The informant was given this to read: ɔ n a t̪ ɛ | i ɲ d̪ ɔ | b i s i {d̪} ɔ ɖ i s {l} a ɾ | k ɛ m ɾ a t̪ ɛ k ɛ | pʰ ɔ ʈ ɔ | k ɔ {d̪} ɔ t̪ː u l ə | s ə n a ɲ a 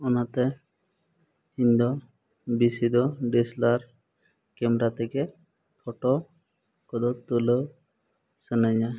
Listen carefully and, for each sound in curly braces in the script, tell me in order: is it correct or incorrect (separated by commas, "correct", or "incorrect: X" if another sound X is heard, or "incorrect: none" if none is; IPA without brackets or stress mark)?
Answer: correct, correct, correct